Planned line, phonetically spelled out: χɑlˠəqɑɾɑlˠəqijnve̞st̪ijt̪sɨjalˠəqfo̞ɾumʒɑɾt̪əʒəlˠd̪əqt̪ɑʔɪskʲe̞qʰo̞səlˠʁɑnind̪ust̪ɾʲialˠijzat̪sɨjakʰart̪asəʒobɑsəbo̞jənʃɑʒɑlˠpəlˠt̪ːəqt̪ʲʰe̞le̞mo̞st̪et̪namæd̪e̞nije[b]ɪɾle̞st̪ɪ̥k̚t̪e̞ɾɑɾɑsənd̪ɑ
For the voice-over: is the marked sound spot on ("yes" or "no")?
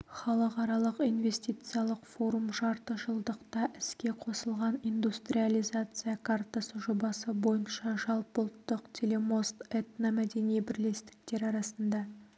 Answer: yes